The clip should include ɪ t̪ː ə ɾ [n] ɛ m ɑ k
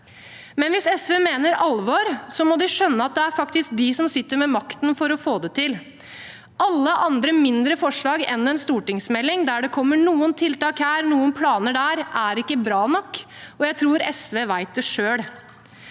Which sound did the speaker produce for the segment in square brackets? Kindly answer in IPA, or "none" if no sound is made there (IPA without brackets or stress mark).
m